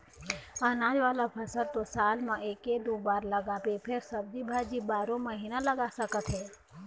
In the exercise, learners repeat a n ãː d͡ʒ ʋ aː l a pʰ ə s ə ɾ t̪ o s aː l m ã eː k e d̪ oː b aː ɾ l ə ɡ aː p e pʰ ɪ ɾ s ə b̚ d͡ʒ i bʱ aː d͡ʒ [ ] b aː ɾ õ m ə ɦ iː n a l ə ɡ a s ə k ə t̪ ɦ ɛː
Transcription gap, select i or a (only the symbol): i